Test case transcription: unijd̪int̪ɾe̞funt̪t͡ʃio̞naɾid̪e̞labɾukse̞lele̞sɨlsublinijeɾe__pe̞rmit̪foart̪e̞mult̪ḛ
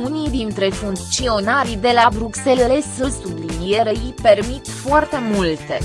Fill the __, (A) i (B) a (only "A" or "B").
A